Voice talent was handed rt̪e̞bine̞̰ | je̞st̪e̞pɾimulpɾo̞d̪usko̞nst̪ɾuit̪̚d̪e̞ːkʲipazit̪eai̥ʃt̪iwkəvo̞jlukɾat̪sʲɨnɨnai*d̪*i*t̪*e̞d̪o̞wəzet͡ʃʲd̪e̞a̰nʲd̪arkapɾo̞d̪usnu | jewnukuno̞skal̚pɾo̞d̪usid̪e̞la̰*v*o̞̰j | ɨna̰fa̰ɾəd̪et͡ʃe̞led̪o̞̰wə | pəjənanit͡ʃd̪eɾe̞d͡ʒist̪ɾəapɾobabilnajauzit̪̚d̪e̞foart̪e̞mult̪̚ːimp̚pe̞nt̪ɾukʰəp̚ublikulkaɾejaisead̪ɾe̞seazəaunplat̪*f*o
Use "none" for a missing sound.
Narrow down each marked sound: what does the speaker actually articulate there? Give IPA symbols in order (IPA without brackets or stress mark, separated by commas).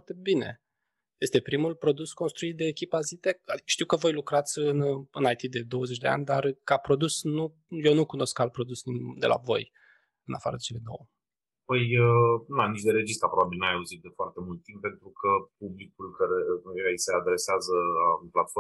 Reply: t̪, d̪, v, f